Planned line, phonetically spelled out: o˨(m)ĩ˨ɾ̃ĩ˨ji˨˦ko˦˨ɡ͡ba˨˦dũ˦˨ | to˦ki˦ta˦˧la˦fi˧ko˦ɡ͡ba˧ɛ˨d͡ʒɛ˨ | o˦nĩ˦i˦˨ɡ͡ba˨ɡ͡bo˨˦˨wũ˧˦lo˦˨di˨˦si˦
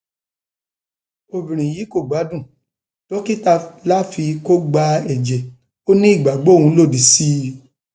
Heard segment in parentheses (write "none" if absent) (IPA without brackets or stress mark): b